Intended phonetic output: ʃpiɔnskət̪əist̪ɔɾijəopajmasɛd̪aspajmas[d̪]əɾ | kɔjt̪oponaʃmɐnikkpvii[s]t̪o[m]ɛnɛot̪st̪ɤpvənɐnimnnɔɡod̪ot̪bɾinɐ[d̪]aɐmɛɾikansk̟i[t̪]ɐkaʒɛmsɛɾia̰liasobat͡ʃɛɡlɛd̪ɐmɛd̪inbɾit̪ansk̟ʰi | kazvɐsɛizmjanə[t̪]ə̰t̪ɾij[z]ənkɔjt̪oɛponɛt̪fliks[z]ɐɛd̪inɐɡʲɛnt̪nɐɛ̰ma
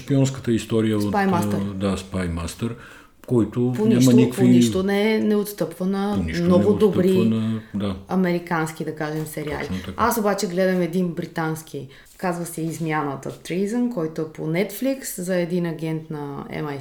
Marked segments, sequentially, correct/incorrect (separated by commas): incorrect, incorrect, incorrect, correct, incorrect, correct, correct, correct